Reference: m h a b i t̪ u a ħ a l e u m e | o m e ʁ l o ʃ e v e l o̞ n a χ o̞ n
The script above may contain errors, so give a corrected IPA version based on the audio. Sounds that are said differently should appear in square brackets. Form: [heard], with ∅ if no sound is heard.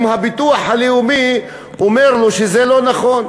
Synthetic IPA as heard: m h a b i t̪ u a ħ a l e u m [i] | o m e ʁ l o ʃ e [z] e l o̞ n a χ o̞ n